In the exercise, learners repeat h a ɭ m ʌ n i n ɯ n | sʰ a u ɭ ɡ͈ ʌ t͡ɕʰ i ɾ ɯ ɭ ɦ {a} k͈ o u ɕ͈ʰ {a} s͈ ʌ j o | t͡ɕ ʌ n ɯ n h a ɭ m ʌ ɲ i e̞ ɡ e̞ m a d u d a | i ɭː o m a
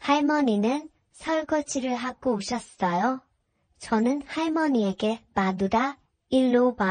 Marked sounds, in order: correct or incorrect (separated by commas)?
correct, incorrect